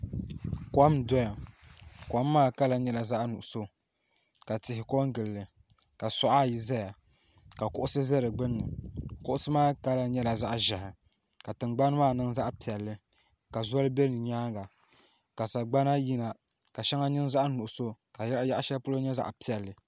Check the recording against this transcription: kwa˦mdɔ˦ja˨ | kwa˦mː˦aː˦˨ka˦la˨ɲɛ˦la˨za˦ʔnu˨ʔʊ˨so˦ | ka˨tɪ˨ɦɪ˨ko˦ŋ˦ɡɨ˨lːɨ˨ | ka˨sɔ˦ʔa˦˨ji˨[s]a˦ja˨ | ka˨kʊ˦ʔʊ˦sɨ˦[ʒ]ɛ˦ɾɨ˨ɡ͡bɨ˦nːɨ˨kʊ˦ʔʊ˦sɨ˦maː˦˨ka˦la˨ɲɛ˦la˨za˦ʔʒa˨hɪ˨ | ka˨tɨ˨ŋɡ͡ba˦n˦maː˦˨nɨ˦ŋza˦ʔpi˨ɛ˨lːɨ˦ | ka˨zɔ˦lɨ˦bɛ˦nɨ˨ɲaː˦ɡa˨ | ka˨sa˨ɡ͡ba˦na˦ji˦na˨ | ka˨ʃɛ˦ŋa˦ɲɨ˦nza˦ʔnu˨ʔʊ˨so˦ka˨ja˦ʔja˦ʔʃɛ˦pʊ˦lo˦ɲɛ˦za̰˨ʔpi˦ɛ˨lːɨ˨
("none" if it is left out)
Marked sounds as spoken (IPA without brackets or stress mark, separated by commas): z, z